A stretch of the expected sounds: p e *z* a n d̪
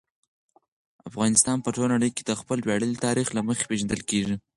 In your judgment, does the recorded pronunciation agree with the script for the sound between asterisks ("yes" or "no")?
no